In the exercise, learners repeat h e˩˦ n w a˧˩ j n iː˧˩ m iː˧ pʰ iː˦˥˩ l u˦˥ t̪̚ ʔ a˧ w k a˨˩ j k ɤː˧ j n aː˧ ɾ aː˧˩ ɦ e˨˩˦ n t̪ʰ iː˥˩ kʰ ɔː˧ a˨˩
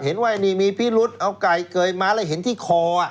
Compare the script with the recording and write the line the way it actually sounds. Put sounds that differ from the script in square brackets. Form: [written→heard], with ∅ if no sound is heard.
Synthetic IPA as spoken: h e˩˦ n w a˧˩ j n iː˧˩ m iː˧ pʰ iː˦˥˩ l u˦˥ t̪̚ ʔ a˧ w k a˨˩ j k ɤː˧ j [n→m] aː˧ [ɾ→l] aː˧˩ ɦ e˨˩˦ n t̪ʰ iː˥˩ kʰ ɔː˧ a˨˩